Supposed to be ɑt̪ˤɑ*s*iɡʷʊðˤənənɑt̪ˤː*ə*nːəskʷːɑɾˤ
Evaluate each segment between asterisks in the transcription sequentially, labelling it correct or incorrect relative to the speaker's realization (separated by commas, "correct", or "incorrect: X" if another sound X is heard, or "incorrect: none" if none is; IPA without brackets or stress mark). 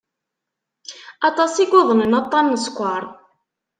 correct, incorrect: ɑ